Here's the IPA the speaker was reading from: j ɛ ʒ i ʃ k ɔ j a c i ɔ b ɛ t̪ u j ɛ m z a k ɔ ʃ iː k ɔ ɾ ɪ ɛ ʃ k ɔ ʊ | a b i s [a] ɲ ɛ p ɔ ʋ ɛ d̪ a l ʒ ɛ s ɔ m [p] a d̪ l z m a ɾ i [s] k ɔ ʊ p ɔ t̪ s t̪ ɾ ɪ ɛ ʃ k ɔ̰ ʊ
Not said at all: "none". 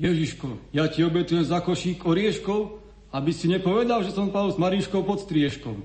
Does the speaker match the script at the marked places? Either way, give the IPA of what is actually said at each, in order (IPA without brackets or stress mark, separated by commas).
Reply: i, p, ʃ